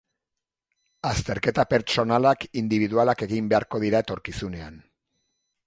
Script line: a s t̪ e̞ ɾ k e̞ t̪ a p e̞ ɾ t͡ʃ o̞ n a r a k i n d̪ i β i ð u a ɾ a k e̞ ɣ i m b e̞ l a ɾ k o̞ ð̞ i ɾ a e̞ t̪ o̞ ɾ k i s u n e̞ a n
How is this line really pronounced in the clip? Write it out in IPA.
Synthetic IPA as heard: a s t̪ e̞ ɾ k e̞ t̪ a p e̞ ɾ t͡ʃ o̞ n a l a k i n d̪ i β i ð u a l a k e̞ ɣ i m b e̞ a ɾ k o̞ ð̞ i ɾ a e̞ t̪ o̞ ɾ k i s u n e̞ a n